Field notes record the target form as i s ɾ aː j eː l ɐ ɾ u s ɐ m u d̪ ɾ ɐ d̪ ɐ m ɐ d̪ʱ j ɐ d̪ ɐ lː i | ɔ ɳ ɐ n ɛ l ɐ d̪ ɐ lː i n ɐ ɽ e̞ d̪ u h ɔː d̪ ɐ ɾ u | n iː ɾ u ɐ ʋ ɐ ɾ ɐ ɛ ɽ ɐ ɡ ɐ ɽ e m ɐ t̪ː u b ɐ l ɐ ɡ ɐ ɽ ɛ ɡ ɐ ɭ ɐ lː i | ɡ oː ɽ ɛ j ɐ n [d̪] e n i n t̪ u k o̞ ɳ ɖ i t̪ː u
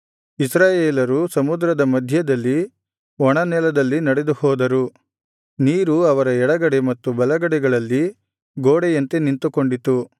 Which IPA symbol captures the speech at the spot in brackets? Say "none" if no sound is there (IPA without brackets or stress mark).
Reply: t̪